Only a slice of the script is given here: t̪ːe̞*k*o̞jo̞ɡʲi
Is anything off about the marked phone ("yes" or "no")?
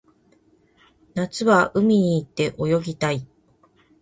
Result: yes